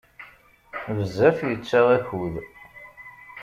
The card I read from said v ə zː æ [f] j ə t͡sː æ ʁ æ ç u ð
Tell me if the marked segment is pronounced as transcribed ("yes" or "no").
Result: yes